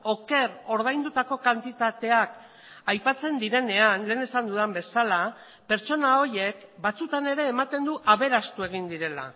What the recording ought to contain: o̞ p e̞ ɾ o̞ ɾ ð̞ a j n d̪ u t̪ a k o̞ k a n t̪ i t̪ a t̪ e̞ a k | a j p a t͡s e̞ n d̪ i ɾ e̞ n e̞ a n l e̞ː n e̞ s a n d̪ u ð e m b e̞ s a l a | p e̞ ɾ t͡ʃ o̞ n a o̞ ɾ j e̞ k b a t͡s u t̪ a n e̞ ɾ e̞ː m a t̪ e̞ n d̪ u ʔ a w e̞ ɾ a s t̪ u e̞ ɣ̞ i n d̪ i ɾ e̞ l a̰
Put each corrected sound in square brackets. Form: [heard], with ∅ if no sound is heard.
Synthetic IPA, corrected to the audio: o̞ [k] e̞ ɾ o̞ ɾ ð̞ a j n d̪ u t̪ a k o̞ k a n t̪ i t̪ a t̪ e̞ a k | a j p a t͡s e̞ n d̪ i ɾ e̞ n e̞ a n l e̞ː n e̞ s a n d̪ u ð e m b e̞ s a l a | p e̞ ɾ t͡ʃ o̞ n a o̞ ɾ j e̞ k b a t͡s u t̪ a n e̞ ɾ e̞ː m a t̪ e̞ n d̪ u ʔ a [β] e̞ ɾ a s t̪ u e̞ ɣ̞ i n d̪ i ɾ e̞ l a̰